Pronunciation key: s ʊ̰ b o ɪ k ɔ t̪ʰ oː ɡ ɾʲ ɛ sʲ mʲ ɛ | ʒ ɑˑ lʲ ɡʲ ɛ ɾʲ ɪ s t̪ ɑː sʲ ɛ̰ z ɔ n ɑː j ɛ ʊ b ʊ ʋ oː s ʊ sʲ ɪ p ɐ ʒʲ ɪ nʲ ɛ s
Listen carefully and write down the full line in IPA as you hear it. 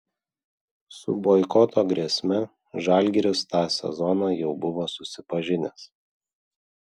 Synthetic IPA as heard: s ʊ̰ b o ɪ k ɔ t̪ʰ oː ɡ ɾʲ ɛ sʲ mʲ ɛ | ʒ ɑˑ lʲ ɡʲ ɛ ɾʲ ɪ s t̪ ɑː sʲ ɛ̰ z ɔ n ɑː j ɛ ʊ b ʊ ʋ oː s ʊ sʲ ɪ p ɐ ʒʲ ɪ nʲ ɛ s

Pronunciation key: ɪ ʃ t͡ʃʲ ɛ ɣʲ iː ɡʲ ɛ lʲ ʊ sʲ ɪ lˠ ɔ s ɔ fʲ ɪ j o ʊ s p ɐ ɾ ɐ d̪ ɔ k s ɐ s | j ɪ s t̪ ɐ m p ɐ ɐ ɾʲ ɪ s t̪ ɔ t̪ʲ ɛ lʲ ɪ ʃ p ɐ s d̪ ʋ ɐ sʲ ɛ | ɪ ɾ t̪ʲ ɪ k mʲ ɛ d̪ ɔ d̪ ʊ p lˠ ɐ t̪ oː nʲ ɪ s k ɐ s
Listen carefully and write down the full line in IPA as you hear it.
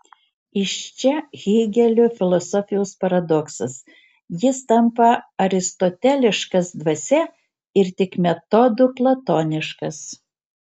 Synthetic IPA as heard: ɪ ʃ t͡ʃʲ ɛ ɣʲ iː ɡʲ ɛ lʲ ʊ fʲ ɪ lˠ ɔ s ɔ fʲ ɪ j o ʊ s p ɐ ɾ ɐ d̪ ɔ k s ɐ s | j ɪ s t̪ ɐ m p ɐ ɐ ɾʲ ɪ s t̪ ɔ t̪ʲ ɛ lʲ ɪ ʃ k ɐ s d̪ ʋ ɐ sʲ ɛ | ɪ ɾ t̪ʲ ɪ k mʲ ɛ t̪ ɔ d̪ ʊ p lˠ ɐ t̪ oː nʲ ɪ ʃ k ɐ s

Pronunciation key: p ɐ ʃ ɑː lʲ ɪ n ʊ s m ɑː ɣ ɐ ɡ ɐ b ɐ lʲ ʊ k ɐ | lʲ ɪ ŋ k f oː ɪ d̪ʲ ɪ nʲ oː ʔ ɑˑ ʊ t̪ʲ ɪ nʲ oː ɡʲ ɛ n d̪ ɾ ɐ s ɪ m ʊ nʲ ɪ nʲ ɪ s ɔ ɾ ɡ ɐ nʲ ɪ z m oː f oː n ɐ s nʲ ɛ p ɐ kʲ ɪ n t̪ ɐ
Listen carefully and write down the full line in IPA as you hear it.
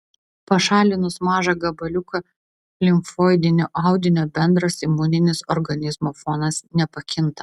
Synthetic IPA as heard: p ɐ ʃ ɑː lʲ ɪ n ʊ s m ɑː ʒ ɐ ɡ ɐ b ɐ lʲ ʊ k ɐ | lʲ ɪ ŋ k f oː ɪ d̪ʲ ɪ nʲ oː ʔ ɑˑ ʊ d̪ʲ ɪ nʲ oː bʲ ɛ n d̪ ɾ ɐ s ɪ m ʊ nʲ ɪ nʲ ɪ s ɔ ɾ ɡ ɐ nʲ ɪ z m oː f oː n ɐ s nʲ ɛ p ɐ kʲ ɪ n t̪ ɐ

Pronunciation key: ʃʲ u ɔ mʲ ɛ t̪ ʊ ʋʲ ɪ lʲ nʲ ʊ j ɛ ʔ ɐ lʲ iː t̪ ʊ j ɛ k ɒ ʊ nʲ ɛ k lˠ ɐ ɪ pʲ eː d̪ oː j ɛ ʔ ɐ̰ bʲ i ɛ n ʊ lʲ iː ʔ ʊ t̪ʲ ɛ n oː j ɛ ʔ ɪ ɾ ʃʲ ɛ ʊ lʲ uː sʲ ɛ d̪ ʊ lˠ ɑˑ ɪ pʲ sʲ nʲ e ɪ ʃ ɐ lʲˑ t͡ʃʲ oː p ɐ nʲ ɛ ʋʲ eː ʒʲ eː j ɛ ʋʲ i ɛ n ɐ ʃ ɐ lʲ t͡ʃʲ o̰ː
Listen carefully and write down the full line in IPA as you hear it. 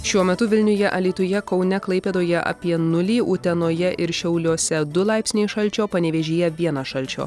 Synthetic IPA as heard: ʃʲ u ɔ mʲ ɛ t̪ ʊ ʋʲ ɪ lʲ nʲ ʊ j ɛ ʔ ɐ lʲ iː t̪ ʊ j ɛ k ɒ ʊ nʲ ɛ k lˠ ɐ ɪ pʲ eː d̪ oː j ɛ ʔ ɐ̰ pʲ i ɛ n ʊ lʲ iː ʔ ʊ t̪ʲ ɛ n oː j ɛ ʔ ɪ ɾ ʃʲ ɛ ʊ lʲ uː sʲ ɛ d̪ ʊ lˠ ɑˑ ɪ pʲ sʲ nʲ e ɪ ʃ ɐ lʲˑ t͡ʃʲ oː p ɐ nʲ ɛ ʋʲ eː ʒʲ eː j ɛ ʋʲ i ɛ n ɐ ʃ ɐ lʲ t͡ʃʲ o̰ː

